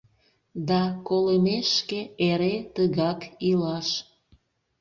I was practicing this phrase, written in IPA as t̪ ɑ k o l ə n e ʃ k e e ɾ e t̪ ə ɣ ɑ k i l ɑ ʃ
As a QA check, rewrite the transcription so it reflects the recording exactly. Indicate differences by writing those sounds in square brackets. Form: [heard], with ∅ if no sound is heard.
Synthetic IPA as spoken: [d̪] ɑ k o l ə [m] e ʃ k e e ɾ e t̪ ə ɣ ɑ k i l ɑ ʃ